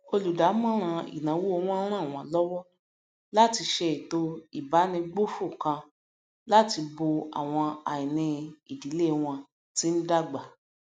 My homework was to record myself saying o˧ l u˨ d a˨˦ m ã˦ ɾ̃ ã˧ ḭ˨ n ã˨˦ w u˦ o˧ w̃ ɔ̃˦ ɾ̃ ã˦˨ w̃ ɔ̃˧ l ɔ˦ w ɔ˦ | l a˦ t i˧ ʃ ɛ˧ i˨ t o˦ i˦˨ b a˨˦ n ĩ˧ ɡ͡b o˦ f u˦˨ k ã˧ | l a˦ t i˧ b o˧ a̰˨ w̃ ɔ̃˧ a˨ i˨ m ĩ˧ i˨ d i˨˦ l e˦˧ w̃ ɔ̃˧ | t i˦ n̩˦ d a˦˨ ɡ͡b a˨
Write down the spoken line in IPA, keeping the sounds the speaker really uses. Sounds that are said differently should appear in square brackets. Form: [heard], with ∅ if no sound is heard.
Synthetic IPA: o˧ l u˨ d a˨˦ m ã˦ ɾ̃ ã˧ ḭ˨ n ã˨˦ w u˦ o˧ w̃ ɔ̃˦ ɾ̃ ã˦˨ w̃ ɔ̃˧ l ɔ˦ w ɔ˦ | l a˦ t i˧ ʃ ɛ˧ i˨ t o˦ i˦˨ b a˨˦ n ĩ˧ ɡ͡b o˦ f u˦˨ k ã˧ | l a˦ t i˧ b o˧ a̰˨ w̃ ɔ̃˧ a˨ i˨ [n] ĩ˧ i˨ d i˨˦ l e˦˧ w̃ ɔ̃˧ | t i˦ n̩˦ d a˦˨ ɡ͡b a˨

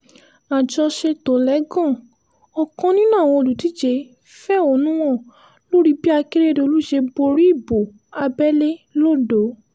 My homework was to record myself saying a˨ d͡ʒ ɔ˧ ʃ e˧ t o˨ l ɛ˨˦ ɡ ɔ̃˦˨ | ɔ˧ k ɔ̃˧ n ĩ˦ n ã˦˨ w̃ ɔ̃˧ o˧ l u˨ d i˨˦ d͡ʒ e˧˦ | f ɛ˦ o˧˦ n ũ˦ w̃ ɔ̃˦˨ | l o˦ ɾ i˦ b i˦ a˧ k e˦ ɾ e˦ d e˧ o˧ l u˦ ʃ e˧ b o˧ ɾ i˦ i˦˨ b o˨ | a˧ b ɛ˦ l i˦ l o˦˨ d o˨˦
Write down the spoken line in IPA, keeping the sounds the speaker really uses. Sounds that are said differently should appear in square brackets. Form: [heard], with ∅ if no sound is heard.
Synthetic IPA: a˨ d͡ʒ ɔ˧ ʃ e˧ t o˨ l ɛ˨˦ ɡ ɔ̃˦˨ | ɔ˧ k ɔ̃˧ n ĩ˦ n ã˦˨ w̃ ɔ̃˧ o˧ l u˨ [t] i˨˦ d͡ʒ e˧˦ | f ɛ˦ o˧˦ n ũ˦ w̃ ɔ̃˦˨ | l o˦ ɾ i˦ b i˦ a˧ k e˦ ɾ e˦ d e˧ o˧ l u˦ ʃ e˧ b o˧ ɾ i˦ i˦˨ b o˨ | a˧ b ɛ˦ l [e˦] l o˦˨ d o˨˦

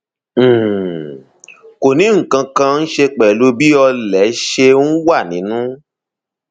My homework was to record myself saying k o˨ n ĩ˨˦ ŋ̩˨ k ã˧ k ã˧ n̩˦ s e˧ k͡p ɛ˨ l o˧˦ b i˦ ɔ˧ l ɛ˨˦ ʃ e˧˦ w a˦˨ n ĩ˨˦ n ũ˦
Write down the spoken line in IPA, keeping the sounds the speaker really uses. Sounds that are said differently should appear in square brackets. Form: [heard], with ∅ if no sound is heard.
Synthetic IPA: k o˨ n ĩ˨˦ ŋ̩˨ k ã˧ k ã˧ n̩˦ [ʃ] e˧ k͡p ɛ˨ l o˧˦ b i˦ ɔ˧ l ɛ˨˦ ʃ e˧˦ w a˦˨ n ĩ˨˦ n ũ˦

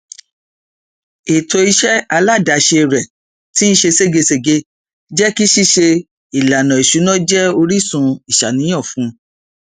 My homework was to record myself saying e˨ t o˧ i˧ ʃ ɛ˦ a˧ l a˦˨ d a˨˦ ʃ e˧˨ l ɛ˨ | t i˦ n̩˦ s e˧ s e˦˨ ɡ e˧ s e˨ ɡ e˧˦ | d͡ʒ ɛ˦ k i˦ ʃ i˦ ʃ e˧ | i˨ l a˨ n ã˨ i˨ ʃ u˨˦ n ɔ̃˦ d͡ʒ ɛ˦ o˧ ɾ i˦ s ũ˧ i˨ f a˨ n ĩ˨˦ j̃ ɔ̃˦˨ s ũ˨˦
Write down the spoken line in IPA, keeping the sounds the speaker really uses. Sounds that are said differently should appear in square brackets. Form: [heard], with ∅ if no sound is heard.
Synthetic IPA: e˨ t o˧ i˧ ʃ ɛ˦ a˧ l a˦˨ d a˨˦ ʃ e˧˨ [ɾ] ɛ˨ | t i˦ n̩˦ [ʃ] e˧ s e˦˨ ɡ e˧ s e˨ ɡ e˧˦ | d͡ʒ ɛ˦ k i˦ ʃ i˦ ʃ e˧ | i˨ l a˨ n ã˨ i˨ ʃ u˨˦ n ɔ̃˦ d͡ʒ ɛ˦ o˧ ɾ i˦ s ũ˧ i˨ [ʃ] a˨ n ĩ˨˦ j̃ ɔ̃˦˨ [f] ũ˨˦

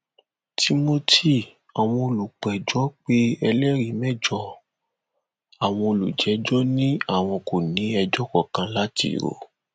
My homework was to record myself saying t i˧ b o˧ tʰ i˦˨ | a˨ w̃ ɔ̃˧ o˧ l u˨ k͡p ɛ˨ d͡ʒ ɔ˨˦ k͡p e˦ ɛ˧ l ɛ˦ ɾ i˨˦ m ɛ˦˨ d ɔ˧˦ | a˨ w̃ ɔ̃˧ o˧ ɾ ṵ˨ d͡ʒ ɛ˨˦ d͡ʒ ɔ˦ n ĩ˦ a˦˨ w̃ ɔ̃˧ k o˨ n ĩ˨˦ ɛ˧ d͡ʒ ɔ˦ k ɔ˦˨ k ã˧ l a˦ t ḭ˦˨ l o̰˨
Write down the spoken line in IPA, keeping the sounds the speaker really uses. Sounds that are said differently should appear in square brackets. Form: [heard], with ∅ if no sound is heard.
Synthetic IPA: t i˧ [m] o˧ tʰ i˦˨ | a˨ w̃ ɔ̃˧ o˧ l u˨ k͡p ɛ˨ d͡ʒ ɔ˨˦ k͡p e˦ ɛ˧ l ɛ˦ ɾ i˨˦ m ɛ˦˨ [d͡ʒ] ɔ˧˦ | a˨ w̃ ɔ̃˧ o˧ [l] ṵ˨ d͡ʒ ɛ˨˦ d͡ʒ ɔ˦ n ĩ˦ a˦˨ w̃ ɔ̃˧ k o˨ n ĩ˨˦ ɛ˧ d͡ʒ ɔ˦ k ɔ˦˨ k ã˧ l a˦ t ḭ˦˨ [ɾ] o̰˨

